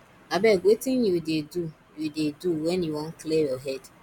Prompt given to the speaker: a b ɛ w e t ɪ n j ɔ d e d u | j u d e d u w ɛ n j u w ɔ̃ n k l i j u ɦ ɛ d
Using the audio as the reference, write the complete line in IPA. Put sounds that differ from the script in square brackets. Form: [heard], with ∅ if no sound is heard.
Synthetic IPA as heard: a b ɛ w e t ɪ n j [u] d e d u | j u d e d u w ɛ n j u w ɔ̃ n k l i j [ɔ] ɦ ɛ d